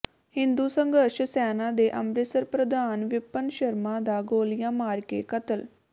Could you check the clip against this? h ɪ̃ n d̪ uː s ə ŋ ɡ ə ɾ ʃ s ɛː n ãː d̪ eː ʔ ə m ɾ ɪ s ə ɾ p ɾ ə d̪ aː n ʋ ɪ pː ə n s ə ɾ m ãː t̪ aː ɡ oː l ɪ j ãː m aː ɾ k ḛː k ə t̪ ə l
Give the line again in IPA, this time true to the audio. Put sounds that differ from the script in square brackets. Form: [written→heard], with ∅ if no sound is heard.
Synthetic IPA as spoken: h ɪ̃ n d̪ uː s ə ŋ ɡ ə ɾ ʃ s ɛː n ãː d̪ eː ʔ ə m ɾ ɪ s ə ɾ p ɾ ə d̪ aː n ʋ ɪ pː ə n [s→ʃ] ə ɾ m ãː [t̪→d̪] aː ɡ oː l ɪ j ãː m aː ɾ k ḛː k ə t̪ ə l